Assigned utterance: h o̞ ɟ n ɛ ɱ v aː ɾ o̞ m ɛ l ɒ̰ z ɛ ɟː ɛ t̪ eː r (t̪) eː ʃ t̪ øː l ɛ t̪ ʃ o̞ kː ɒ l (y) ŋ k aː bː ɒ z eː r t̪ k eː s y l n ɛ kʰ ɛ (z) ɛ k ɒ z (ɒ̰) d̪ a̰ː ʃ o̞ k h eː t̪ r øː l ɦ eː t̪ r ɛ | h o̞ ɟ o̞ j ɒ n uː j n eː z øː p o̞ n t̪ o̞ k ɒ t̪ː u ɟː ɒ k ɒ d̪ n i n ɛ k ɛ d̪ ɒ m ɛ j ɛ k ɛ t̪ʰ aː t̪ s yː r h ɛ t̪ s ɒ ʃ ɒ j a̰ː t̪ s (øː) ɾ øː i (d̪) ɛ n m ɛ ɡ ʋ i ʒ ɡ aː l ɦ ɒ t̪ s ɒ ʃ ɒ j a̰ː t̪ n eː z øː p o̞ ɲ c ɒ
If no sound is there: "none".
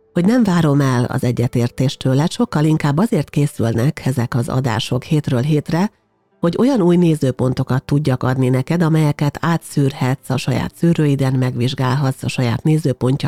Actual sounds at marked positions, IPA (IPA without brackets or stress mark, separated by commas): t̪, i, z, ɒ̰, yː, d̪